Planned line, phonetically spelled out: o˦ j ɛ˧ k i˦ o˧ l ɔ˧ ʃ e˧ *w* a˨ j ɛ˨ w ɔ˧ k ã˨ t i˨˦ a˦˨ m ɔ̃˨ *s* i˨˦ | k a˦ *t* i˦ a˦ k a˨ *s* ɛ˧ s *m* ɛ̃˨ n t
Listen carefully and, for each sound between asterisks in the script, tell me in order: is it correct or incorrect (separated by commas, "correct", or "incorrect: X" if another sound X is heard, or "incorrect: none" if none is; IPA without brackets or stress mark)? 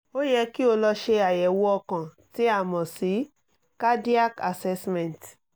incorrect: none, correct, incorrect: d, correct, correct